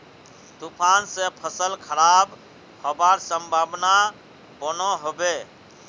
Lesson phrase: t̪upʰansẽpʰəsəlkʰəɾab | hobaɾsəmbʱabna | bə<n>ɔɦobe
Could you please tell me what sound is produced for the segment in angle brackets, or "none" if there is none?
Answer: n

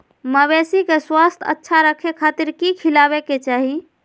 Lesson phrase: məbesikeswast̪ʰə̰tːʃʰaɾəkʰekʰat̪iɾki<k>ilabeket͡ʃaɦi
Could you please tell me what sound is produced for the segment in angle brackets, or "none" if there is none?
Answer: kʰ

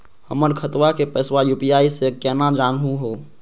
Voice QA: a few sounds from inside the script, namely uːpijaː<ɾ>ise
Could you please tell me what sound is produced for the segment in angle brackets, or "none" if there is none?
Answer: none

